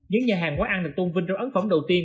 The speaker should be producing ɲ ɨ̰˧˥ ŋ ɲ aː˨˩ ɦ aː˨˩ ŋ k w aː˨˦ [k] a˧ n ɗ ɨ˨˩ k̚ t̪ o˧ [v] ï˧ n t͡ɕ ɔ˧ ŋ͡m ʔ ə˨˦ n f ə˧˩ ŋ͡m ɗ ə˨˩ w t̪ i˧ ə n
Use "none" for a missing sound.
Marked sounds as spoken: ʔ, v

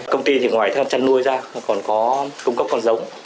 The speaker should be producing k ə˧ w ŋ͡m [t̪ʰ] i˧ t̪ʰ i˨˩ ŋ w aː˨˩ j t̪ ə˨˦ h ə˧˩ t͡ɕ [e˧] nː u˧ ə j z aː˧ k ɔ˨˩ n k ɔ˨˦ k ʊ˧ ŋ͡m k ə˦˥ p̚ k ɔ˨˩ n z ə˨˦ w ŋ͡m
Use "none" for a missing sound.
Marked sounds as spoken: t̪, a˧

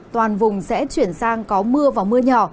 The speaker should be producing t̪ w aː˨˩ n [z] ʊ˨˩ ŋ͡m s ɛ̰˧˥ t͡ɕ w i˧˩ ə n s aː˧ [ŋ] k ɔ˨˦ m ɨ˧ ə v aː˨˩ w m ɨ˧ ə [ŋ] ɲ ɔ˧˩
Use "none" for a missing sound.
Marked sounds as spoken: v, ŋ, none

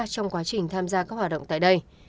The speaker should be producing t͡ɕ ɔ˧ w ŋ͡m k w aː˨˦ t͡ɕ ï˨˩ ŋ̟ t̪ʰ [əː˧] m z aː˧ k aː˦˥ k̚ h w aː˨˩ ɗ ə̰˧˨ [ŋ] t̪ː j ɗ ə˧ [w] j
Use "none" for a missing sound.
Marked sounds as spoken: aː˧, ŋ͡m, none

